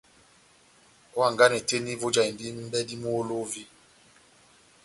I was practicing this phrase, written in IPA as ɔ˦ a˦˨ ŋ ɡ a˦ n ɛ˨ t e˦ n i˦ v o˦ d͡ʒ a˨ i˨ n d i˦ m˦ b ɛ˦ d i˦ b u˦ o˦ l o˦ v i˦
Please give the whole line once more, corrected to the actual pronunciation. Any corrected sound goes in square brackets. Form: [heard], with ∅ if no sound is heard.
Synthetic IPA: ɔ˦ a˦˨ ŋ ɡ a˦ n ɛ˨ t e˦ n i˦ v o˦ d͡ʒ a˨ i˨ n d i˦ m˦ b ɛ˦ d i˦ [m] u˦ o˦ l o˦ v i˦